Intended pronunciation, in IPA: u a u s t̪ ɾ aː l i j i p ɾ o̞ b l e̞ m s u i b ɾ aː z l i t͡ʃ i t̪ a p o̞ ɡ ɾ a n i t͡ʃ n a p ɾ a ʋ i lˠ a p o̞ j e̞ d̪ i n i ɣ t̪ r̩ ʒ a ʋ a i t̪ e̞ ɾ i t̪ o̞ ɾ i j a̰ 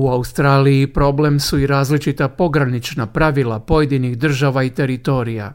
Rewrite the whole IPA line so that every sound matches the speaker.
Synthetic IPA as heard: u a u s t̪ ɾ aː l i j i p ɾ o̞ b l e̞ m s u i ɾ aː z l i t͡ʃ i t̪ a p o̞ ɡ ɾ a n i t͡ʃ n a p ɾ a ʋ i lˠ a p o̞ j e̞ d̪ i n i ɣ d̪ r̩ ʒ a ʋ a i t̪ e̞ ɾ i t̪ o̞ ɾ i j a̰